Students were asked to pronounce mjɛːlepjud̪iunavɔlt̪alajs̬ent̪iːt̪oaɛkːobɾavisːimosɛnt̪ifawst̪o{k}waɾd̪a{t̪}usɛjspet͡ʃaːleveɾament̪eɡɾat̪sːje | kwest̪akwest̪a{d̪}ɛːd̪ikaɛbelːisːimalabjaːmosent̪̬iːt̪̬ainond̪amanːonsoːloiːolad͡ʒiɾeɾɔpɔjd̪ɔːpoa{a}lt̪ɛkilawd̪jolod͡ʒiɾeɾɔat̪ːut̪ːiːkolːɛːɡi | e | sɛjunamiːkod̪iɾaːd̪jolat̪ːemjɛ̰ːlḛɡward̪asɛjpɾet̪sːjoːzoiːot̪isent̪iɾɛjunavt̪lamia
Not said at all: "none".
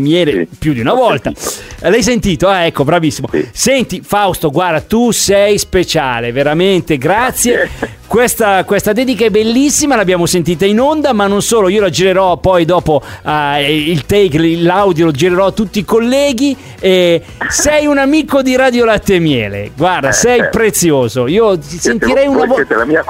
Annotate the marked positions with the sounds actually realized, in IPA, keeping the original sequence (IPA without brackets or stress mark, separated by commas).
ɡ, t̪, d̪, i